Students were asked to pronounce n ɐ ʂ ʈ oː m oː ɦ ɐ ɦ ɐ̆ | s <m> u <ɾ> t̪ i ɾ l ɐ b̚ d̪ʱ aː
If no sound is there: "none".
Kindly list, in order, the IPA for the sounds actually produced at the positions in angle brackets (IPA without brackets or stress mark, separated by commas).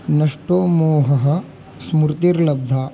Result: m, ɾ